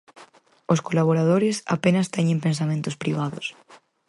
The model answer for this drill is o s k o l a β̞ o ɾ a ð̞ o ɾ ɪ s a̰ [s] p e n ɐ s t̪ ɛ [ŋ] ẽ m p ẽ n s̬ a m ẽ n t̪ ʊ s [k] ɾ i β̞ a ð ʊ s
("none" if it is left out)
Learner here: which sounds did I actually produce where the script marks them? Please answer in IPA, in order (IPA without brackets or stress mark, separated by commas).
none, ɲ, p